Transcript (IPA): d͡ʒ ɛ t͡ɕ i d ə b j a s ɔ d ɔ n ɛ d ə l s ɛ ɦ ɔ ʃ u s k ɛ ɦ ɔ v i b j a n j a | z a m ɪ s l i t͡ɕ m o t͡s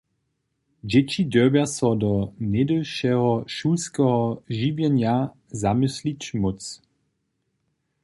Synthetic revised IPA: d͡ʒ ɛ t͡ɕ i d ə b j a s ɔ d ɔ n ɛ d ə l ʃ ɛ ɦ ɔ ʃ u s k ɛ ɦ ɔ ʒ i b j ɛ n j a | z a m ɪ s l i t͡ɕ m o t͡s